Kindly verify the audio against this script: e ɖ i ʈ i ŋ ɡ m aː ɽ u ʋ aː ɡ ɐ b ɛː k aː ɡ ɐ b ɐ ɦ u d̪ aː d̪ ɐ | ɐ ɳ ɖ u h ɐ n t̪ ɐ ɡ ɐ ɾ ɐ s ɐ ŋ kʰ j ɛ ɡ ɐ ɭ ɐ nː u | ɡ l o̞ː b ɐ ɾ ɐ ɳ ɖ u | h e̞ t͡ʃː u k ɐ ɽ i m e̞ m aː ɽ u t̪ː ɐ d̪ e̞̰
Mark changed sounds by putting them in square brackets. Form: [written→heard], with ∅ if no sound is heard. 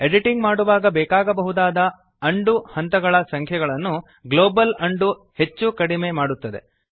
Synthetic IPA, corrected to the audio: e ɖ i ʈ i ŋ ɡ m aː ɽ u ʋ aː ɡ ɐ b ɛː k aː ɡ ɐ b ɐ ɦ u d̪ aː d̪ ɐ | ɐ ɳ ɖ u h ɐ n t̪ ɐ ɡ ɐ [ɾ→ɭ] ɐ s ɐ ŋ kʰ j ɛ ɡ ɐ ɭ ɐ nː u | ɡ l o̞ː b ɐ [ɾ→l] ɐ ɳ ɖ u | h e̞ t͡ʃː u k ɐ ɽ i m e̞ m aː ɽ u t̪ː ɐ d̪ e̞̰